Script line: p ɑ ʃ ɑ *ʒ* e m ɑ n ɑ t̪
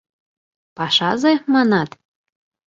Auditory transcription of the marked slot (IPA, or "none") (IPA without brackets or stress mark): z